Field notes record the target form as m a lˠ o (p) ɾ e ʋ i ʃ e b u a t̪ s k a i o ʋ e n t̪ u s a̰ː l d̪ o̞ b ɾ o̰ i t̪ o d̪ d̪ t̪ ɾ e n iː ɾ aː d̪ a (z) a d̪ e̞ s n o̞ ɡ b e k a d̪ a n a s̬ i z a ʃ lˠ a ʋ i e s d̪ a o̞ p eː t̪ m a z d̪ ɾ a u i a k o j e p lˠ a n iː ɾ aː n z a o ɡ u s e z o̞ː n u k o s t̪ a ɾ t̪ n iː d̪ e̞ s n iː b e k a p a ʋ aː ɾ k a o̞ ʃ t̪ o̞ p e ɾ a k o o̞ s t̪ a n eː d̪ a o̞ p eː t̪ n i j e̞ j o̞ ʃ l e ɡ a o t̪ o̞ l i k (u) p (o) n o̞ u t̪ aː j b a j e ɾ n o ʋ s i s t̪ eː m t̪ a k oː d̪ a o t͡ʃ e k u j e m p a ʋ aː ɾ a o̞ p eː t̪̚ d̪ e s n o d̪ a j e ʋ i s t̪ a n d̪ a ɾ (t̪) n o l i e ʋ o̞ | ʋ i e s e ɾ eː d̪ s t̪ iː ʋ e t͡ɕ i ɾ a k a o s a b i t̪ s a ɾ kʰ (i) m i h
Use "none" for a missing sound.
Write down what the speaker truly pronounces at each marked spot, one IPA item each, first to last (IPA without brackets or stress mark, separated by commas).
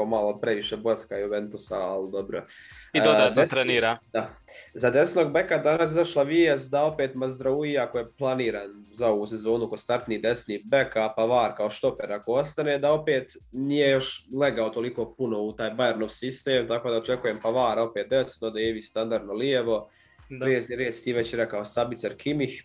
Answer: p, z, o, u, d̪, i